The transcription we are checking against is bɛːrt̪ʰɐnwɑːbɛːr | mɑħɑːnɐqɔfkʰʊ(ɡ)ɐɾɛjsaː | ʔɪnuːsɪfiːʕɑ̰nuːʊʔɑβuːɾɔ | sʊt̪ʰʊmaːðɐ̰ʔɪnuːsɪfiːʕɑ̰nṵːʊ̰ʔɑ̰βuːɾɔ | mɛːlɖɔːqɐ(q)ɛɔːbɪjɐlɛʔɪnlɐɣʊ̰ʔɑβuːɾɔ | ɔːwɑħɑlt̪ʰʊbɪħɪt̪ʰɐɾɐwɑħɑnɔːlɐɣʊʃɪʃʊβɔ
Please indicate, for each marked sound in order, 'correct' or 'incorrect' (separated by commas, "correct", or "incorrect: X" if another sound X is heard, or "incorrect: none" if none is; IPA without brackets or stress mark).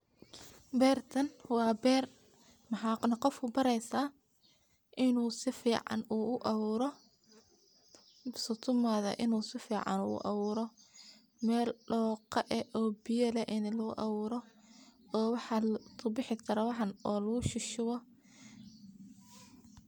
incorrect: b, incorrect: ʔ